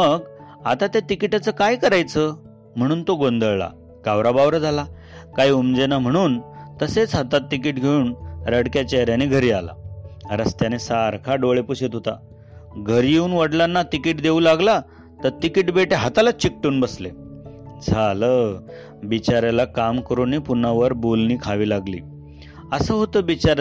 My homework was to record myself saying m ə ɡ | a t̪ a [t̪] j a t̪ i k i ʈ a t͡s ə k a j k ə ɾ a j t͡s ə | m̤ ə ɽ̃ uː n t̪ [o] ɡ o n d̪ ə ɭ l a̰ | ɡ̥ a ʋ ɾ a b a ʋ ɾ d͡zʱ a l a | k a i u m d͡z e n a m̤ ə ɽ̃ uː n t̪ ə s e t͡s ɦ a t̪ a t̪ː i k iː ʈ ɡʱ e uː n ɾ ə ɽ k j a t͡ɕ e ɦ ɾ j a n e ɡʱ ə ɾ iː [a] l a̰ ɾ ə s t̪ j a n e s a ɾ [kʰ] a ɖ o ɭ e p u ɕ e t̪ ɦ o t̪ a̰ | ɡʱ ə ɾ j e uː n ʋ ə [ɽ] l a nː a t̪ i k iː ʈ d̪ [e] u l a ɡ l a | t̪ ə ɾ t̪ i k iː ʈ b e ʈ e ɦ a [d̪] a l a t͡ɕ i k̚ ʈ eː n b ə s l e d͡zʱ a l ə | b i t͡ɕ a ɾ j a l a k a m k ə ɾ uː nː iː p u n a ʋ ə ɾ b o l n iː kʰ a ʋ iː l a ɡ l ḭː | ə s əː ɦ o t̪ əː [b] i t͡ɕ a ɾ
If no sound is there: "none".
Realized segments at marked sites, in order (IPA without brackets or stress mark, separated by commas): t̪, o, a, kʰ, ɽ, e, t̪, b